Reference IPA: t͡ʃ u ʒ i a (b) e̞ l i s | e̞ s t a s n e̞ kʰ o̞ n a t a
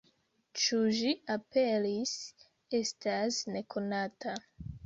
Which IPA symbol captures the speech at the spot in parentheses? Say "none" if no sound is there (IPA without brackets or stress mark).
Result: p